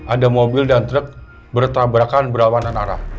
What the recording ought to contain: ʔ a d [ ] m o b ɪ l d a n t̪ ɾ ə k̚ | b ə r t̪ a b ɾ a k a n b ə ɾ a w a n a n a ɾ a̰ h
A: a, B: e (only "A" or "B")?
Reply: A